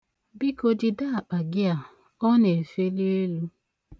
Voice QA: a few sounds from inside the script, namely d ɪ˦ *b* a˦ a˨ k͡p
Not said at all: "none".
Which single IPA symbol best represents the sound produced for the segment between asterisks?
d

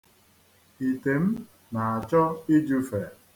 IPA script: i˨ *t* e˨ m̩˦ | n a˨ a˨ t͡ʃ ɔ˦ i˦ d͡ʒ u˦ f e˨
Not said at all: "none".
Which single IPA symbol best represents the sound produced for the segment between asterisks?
t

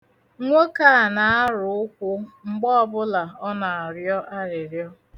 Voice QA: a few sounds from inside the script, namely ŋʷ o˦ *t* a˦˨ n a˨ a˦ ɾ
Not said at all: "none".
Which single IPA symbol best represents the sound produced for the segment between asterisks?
k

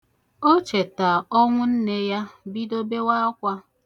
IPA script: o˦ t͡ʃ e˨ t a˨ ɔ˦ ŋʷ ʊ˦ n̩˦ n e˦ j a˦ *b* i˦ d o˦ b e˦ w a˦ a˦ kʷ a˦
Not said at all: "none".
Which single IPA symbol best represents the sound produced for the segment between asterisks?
b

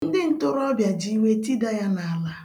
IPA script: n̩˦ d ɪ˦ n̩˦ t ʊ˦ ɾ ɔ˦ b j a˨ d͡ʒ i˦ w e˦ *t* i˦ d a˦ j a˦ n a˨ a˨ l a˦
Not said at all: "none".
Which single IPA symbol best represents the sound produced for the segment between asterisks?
t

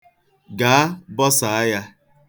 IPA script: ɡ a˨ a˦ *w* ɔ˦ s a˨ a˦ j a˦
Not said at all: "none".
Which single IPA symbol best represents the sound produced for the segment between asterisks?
b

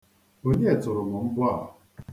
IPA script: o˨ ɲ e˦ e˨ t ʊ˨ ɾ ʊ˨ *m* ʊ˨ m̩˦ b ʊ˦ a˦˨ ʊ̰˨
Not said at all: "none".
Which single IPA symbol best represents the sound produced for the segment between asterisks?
m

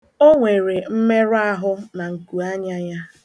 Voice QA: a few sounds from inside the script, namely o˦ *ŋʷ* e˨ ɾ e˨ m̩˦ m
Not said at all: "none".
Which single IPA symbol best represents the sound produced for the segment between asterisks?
ŋʷ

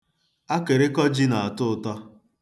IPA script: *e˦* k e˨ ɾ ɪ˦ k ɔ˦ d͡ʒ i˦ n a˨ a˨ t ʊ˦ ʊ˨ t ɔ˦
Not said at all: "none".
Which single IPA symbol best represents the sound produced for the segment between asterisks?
a˦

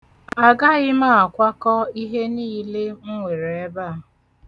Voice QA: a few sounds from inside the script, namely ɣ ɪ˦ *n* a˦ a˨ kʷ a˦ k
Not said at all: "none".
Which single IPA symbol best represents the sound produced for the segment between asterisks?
m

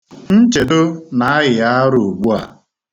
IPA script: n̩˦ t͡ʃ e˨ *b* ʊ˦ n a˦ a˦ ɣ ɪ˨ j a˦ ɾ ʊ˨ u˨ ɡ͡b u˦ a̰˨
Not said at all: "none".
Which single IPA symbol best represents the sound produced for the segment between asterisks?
d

